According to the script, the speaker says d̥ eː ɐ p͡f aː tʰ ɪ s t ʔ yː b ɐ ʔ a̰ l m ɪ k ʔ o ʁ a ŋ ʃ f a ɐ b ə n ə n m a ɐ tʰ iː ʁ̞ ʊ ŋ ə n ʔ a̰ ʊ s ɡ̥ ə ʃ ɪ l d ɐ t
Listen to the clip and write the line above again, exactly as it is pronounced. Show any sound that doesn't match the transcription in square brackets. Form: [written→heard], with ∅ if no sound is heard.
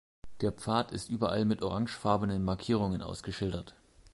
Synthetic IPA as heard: d̥ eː ɐ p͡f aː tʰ ɪ s t ʔ yː b ɐ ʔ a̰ l m ɪ [k→t] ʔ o ʁ a ŋ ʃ f a ɐ b ə n ə n m a ɐ [tʰ→kʰ] iː ʁ̞ ʊ ŋ ə n ʔ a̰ ʊ s ɡ̥ ə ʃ ɪ l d ɐ t